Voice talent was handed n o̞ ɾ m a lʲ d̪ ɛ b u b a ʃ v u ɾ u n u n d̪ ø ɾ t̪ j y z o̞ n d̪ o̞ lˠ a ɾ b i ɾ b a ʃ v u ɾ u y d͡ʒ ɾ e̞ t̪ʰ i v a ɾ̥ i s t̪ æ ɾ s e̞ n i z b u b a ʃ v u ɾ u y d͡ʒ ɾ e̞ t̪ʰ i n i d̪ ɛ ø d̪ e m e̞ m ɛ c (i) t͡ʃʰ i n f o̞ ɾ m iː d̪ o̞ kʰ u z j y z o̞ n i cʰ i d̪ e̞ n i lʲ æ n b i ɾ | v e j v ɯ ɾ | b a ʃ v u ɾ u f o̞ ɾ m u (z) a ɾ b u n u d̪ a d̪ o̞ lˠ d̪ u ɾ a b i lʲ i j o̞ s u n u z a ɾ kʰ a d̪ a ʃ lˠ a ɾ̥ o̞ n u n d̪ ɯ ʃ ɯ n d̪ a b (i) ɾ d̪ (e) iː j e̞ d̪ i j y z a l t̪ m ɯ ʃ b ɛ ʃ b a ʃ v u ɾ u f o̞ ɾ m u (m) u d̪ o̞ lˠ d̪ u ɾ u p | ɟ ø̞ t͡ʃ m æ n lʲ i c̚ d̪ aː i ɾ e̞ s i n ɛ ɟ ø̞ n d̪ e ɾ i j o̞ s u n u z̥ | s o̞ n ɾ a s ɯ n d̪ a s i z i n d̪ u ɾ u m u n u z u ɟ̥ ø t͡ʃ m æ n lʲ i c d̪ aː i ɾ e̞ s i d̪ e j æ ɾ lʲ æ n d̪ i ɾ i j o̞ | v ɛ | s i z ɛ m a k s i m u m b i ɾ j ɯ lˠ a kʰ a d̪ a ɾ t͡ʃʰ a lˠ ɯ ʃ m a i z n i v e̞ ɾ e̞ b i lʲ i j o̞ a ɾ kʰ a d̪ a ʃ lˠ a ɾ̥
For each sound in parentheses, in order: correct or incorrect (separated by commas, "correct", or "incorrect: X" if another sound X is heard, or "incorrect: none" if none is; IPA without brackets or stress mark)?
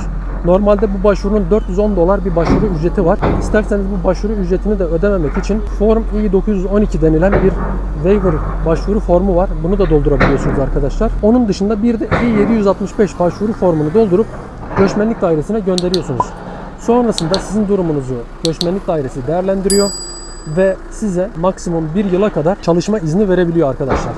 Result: correct, incorrect: v, correct, incorrect: ɛ, incorrect: n